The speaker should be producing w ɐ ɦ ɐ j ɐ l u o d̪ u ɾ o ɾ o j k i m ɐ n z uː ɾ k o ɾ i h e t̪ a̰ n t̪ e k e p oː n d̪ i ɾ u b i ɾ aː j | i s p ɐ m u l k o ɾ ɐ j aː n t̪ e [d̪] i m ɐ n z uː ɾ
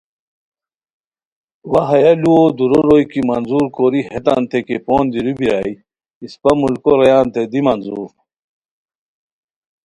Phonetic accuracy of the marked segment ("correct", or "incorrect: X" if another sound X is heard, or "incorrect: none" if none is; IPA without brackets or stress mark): correct